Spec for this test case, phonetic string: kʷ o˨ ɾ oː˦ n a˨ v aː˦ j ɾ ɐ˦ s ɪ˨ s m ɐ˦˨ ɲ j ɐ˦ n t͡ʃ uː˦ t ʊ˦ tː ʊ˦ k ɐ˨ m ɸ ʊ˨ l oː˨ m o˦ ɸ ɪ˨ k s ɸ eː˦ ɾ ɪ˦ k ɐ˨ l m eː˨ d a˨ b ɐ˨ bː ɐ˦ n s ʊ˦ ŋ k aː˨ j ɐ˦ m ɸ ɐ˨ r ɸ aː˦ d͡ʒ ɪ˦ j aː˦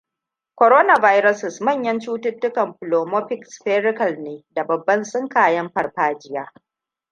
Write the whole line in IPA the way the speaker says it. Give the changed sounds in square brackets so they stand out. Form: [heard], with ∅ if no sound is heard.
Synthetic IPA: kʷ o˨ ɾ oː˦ n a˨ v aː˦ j ɾ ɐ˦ s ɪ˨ s m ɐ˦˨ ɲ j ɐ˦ n t͡ʃ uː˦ t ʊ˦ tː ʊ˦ k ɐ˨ m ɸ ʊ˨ l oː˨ m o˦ ɸ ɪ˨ k s ɸ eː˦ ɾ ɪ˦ k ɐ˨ l [n] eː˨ d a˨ b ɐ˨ bː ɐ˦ n s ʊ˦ ŋ k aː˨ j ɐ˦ m ɸ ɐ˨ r ɸ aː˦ d͡ʒ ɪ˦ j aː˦

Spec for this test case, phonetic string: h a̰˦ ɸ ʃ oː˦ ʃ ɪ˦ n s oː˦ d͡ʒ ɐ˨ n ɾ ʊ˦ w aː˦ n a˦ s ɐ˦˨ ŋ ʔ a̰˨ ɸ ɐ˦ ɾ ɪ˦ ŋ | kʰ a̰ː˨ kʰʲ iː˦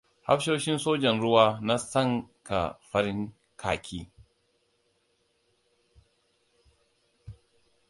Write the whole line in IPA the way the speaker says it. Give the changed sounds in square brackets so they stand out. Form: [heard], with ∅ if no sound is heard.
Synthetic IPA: h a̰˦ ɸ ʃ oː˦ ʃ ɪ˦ n s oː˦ d͡ʒ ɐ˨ n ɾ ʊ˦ w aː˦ n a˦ s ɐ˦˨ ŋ [k] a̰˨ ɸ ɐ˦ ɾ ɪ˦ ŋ | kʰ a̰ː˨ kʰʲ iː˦

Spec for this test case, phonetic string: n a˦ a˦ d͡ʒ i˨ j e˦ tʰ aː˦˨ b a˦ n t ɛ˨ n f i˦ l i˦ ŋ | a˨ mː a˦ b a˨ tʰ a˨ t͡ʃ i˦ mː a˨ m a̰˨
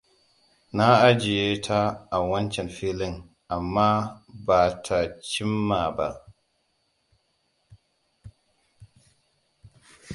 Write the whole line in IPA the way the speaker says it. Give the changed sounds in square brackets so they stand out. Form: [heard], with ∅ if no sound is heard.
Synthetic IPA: n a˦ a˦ d͡ʒ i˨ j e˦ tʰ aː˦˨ [w] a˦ n [t͡ʃ] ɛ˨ n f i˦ l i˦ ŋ | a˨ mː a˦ b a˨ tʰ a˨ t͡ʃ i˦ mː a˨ [b] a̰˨

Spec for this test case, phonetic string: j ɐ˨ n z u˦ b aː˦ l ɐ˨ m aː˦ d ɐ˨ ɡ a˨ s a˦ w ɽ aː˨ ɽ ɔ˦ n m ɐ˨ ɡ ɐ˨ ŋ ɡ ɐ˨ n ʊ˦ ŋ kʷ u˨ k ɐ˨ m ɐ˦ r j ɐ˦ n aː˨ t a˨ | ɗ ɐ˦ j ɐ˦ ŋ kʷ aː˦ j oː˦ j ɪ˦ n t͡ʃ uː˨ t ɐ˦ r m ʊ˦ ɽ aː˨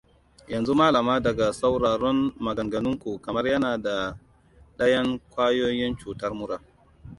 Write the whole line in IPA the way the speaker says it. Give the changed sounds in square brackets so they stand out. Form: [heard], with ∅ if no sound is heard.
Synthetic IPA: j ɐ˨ n z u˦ [m] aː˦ l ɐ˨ m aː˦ d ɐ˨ ɡ a˨ s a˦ w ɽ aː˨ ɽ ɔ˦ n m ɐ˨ ɡ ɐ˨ ŋ ɡ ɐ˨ n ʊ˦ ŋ kʷ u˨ k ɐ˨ m ɐ˦ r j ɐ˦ n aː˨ [d] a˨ | ɗ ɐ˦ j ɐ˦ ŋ kʷ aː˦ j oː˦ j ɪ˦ n t͡ʃ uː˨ t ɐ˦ r m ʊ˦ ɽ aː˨

